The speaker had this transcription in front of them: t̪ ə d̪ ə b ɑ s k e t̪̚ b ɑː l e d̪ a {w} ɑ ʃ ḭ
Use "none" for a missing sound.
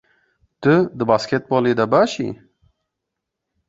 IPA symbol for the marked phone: b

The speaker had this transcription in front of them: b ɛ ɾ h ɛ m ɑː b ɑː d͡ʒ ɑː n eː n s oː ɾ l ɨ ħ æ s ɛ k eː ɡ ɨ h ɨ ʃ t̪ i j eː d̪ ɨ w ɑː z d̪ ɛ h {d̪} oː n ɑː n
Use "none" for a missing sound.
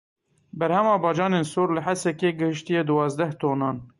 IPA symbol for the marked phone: t̪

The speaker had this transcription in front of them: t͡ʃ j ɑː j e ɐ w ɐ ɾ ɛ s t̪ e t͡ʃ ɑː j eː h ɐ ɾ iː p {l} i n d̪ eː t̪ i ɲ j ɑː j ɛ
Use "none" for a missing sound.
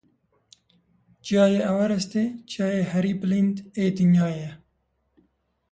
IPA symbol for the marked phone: l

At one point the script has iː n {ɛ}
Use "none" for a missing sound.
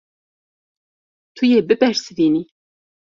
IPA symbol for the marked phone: i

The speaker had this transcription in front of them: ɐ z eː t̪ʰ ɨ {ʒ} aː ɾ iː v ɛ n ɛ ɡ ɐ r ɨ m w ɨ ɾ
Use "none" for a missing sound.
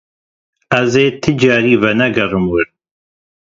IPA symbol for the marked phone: d͡ʒ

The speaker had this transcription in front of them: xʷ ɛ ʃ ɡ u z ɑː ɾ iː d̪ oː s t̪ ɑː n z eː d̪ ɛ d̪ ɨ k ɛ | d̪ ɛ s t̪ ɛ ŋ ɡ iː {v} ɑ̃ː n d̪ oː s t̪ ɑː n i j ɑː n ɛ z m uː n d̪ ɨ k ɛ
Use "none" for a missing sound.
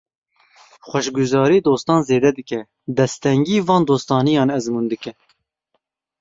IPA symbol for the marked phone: v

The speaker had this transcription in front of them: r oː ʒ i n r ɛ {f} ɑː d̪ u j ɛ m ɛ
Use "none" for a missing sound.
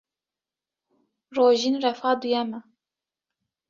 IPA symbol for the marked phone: f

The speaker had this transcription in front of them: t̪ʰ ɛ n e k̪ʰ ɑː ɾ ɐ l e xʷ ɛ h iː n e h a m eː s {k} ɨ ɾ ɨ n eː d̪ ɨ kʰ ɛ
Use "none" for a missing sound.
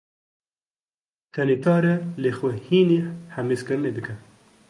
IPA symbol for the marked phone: k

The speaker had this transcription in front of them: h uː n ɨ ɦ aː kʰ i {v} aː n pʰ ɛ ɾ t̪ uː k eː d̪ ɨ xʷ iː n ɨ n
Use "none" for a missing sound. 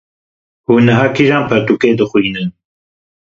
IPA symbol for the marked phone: ʒ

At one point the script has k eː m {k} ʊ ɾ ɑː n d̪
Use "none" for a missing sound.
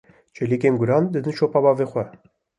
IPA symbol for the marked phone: ɡ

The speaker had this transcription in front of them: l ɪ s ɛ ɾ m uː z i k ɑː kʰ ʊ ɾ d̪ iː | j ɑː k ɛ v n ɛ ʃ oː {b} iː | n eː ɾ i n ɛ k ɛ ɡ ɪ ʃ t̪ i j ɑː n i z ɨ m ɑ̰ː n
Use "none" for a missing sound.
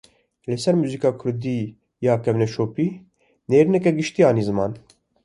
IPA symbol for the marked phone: p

